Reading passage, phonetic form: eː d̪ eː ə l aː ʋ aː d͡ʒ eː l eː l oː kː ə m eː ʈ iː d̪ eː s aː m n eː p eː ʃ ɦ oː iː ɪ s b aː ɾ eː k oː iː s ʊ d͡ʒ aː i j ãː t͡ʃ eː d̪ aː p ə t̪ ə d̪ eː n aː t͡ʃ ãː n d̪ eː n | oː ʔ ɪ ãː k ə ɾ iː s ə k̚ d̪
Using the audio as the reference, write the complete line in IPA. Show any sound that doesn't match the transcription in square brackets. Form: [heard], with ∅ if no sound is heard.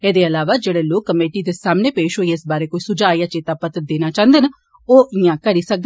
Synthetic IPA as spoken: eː d̪ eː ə l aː ʋ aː d͡ʒ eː [ɽ] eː l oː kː ə m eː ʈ iː d̪ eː s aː m n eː p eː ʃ ɦ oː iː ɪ s b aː ɾ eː k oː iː s ʊ d͡ʒ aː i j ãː t͡ʃ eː [t̪] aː p ə t̪ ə d̪ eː n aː t͡ʃ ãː n d̪ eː n | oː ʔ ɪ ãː k ə ɾ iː s ə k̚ d̪